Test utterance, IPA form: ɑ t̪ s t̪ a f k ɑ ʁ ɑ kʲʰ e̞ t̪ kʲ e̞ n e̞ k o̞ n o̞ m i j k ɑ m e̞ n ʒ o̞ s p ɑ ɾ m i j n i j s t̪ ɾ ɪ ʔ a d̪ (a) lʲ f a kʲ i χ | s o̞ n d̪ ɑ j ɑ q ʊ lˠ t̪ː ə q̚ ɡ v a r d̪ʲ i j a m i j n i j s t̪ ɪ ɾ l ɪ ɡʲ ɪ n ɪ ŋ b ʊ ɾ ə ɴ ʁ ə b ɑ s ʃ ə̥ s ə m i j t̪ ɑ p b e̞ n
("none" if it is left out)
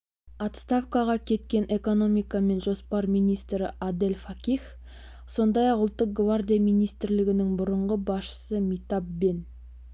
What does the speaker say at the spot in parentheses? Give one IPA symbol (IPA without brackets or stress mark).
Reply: e